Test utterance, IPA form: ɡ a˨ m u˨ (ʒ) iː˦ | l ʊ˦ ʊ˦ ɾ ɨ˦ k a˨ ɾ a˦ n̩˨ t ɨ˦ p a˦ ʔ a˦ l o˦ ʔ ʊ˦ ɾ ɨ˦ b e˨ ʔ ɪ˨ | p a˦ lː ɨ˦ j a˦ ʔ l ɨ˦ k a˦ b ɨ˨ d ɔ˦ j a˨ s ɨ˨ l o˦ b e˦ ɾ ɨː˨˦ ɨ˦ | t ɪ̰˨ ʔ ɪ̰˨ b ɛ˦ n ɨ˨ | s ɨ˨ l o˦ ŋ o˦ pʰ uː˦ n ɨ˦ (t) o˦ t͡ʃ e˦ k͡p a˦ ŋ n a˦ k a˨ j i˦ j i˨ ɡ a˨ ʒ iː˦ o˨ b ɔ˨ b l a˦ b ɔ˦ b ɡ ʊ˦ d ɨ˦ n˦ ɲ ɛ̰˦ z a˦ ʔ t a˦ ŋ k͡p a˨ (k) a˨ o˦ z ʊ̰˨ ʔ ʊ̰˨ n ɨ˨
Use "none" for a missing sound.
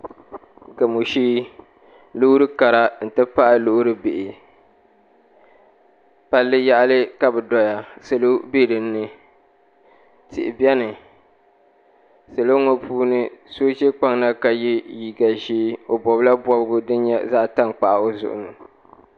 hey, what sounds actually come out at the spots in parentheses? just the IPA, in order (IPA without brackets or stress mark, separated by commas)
ʃ, s, ʔ